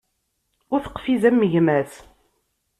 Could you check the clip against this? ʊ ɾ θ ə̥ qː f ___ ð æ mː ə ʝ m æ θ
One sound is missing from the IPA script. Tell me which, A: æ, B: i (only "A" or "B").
B